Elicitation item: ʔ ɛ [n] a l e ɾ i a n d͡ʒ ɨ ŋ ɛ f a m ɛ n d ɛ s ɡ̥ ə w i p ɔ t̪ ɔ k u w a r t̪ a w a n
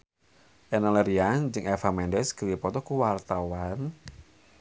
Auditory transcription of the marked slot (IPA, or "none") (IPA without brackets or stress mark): n